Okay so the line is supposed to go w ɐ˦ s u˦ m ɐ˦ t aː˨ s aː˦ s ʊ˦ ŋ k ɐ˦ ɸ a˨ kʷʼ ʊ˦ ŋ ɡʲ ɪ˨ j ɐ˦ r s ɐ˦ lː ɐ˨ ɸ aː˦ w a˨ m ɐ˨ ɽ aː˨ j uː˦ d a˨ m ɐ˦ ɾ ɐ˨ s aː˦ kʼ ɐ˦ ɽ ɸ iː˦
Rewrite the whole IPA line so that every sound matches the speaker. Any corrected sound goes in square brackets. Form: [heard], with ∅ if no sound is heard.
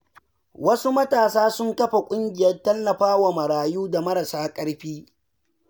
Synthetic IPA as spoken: w ɐ˦ s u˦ m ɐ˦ t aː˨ s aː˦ s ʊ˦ ŋ k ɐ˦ ɸ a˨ kʷʼ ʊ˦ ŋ ɡʲ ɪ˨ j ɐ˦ r [t] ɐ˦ lː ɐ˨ ɸ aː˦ w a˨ m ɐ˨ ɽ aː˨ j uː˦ d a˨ m ɐ˦ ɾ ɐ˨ s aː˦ kʼ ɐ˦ ɽ ɸ iː˦